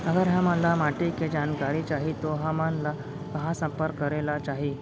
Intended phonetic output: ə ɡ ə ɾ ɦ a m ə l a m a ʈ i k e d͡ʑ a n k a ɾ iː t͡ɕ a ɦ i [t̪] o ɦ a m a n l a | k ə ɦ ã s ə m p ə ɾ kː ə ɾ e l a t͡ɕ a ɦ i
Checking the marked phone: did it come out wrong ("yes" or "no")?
no